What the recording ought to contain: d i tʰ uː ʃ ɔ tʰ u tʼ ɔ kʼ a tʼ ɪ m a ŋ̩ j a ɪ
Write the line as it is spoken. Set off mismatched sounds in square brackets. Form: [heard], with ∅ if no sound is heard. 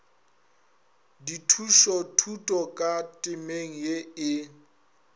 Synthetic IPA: d i tʰ [u] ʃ ɔ tʰ u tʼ ɔ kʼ a tʼ ɪ m [e] ŋ̩ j [e] ɪ